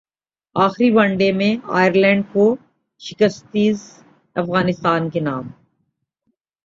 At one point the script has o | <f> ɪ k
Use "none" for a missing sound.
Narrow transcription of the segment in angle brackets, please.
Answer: ʃ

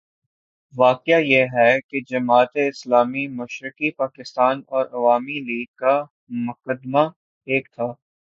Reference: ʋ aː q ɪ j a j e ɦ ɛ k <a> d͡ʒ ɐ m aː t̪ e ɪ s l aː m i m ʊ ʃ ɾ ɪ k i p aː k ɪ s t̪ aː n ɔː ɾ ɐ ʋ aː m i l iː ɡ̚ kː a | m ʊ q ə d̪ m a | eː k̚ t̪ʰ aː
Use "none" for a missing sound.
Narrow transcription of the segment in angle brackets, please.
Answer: e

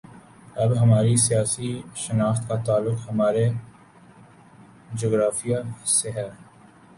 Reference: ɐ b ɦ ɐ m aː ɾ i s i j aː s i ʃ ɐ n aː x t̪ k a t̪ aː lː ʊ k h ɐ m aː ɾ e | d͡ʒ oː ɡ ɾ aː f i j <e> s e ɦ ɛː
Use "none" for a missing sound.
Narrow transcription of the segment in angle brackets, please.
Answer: a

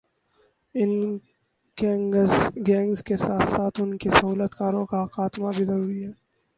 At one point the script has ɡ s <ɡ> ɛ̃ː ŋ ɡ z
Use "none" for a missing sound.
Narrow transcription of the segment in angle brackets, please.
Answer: ɡ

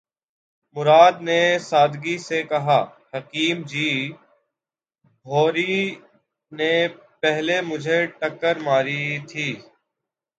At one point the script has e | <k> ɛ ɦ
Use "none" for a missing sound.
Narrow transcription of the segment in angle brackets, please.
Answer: p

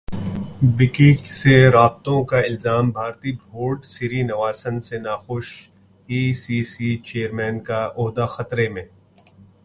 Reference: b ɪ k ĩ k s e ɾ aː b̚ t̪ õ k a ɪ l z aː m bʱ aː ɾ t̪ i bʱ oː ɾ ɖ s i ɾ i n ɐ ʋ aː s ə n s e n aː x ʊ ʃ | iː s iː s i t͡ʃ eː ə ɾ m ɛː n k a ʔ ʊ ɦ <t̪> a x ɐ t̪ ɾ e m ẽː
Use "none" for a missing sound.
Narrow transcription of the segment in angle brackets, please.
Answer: d̪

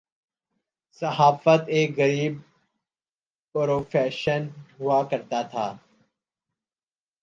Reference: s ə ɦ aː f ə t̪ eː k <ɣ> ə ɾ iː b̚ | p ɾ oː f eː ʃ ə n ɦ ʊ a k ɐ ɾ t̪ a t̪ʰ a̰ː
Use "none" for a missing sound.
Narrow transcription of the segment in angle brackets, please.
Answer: ɣ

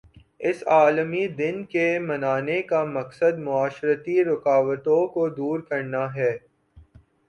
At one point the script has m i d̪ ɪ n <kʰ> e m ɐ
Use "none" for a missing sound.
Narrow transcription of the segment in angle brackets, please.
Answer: k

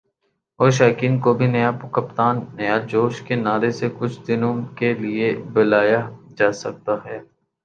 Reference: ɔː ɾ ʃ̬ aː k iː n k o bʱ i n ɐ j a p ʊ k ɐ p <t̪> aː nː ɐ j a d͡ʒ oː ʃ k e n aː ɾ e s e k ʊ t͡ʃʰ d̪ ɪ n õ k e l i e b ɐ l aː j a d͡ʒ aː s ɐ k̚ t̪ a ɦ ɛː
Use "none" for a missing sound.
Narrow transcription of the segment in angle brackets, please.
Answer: t̪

